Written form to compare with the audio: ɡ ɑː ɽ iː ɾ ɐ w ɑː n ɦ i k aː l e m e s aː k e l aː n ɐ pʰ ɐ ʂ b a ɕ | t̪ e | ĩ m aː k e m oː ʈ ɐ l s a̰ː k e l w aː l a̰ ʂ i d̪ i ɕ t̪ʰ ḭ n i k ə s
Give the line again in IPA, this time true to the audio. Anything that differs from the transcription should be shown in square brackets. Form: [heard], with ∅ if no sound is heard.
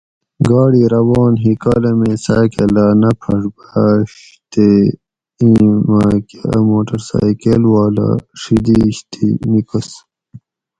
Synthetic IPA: ɡ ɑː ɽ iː ɾ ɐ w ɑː n ɦ i k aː l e m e s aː k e l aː n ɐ pʰ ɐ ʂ b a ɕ | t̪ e | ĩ m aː k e m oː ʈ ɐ [ɾ] s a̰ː k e l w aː l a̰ ʂ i d̪ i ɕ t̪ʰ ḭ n i k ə s

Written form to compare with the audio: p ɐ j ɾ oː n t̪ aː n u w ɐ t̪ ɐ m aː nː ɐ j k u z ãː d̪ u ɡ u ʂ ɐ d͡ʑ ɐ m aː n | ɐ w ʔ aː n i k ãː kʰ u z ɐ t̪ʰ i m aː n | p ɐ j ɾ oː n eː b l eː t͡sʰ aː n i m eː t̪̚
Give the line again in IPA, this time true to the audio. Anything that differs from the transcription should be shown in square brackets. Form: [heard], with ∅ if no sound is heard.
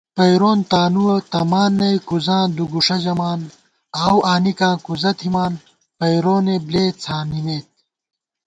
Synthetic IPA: p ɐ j ɾ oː n t̪ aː n u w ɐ t̪ ɐ m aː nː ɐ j k u z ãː d̪ u ɡ u ʂ ɐ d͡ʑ ɐ m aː n | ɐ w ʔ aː n i k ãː [k] u z ɐ t̪ʰ i m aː n | p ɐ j ɾ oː n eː b l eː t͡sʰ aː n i m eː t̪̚

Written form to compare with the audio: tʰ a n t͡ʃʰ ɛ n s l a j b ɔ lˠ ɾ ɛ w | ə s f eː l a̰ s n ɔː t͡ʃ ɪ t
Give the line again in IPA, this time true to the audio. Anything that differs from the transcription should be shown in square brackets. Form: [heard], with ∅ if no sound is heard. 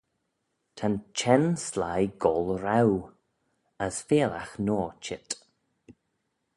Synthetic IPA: tʰ a n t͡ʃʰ ɛ n s l a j [ɡ] ɔ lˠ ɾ [a] w | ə s f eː l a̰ [x] n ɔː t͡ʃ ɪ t

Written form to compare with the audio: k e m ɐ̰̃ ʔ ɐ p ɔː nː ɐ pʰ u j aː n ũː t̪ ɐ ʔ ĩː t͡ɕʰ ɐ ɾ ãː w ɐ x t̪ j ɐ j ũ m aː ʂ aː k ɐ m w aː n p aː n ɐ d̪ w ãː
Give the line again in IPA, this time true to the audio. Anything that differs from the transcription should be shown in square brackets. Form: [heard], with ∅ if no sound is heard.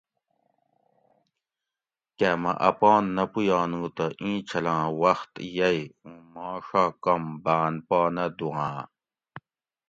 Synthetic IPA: k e m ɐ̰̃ ʔ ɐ p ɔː nː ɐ [p] u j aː n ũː t̪ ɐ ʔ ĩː t͡ɕʰ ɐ [l] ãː w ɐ x t̪ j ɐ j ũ m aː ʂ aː k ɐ m [b] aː n p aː n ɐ d̪ [u] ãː

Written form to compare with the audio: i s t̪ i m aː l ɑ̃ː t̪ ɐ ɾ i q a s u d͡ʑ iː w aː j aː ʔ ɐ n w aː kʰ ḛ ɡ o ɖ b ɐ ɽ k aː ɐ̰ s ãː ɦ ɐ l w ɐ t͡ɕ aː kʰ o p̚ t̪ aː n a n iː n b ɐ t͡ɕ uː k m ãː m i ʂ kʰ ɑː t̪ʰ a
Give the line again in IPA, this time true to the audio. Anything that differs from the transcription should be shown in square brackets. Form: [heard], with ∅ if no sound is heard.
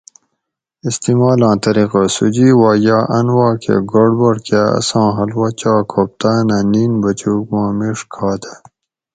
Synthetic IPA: i s t̪ i m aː l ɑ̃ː t̪ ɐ ɾ i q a s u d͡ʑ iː w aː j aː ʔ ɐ n w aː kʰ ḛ ɡ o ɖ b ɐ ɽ k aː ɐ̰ s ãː ɦ ɐ l w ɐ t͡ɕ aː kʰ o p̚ t̪ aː n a n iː n b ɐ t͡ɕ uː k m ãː m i ʂ kʰ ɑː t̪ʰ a

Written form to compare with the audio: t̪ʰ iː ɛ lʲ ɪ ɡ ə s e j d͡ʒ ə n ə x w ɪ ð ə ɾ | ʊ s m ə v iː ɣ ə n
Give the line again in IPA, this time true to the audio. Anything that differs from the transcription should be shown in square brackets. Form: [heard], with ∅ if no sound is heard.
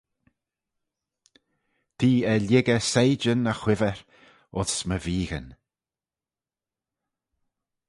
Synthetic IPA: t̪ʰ iː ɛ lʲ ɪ ɡ ə s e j d͡ʒ ə n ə x w ɪ [v] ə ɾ | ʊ s m ə v iː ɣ ə n

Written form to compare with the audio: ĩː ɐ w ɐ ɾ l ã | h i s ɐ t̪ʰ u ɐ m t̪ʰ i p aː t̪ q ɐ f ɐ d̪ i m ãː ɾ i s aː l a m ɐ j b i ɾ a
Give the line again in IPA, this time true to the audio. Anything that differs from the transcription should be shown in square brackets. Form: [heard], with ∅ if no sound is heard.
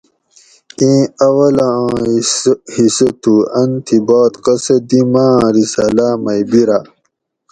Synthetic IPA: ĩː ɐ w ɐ [∅] l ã | h i s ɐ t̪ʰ u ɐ [n] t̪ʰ i [b] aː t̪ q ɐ [s] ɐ d̪ i m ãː ɾ i s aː l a m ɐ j b i ɾ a

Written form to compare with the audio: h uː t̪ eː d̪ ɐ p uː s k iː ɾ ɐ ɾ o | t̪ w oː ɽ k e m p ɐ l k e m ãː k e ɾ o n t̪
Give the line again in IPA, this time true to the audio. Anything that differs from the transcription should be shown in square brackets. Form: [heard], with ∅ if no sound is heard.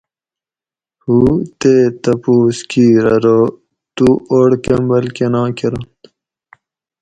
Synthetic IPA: h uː t̪ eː [t̪] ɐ p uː s k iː ɾ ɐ ɾ o | t̪ [u] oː ɽ k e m [b] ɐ l k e [n] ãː k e ɾ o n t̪

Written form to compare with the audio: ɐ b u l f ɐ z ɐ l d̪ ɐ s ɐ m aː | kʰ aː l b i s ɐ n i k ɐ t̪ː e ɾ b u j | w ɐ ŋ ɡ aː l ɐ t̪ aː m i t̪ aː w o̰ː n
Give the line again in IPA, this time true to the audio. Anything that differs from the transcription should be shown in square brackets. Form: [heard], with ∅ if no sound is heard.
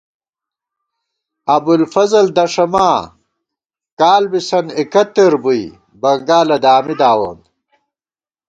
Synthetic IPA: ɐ b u l f ɐ z ɐ l d̪ ɐ [ʂ] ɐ m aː | [k] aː l b i s ɐ n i k ɐ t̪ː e ɾ b u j | [b] ɐ ŋ ɡ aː l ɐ [d̪] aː m i [d̪] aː w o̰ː n

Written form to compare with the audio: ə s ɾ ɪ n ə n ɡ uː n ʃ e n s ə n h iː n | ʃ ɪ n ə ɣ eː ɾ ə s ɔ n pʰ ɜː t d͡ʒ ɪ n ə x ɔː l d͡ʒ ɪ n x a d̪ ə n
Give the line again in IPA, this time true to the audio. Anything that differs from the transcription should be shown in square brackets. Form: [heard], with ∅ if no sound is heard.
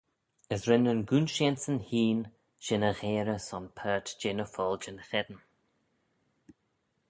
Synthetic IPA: ə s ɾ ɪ n ə n ɡ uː n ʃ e n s ə n h iː n | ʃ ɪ n ə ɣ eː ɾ ə s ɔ n pʰ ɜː t d͡ʒ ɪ n ə [f] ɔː l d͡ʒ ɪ n x [ɛ] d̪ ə n

